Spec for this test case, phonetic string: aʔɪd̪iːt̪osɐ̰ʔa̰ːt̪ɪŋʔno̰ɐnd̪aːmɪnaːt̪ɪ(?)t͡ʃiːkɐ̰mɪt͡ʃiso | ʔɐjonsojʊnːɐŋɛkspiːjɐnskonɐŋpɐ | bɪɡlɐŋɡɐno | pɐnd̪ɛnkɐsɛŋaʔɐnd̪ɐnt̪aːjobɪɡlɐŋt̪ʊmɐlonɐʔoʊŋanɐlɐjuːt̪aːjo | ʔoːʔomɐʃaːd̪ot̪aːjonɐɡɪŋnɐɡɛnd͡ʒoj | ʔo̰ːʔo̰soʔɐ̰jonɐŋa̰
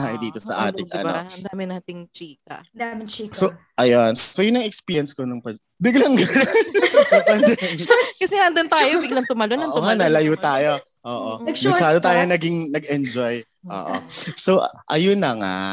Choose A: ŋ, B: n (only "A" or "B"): A